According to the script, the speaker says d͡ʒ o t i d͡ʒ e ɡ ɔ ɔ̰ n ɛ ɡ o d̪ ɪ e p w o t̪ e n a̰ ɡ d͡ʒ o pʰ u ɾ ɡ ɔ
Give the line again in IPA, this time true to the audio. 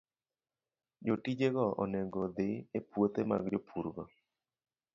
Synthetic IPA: d͡ʒ o t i d͡ʒ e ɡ ɔ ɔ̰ n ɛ ɡ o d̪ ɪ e p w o t̪ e m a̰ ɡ d͡ʒ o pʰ u ɾ ɡ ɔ